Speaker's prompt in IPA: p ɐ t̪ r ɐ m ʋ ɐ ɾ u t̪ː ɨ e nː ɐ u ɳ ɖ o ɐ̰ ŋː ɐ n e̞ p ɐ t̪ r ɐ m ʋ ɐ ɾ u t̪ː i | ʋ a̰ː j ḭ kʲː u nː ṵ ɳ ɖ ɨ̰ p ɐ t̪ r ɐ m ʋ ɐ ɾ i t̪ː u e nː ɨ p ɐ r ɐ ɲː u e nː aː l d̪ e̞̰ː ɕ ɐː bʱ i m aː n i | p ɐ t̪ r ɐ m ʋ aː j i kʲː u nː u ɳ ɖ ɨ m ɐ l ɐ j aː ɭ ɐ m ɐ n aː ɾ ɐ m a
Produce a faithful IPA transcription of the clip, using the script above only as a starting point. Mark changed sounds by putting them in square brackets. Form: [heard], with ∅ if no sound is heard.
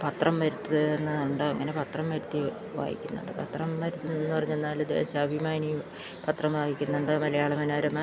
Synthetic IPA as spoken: p ɐ t̪ r ɐ m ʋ ɐ ɾ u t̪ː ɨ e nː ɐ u ɳ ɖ o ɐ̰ ŋː ɐ n e̞ p ɐ t̪ r ɐ m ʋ ɐ ɾ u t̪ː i | ʋ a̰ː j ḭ kʲː u nː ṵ ɳ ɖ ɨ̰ p ɐ t̪ r ɐ m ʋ ɐ ɾ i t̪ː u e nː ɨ p ɐ r ɐ ɲː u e nː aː l d̪ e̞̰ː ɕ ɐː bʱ i m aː n i | p ɐ t̪ r ɐ m ʋ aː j i kʲː u nː u ɳ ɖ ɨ m ɐ l ɐ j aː ɭ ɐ m ɐ n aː ɾ ɐ m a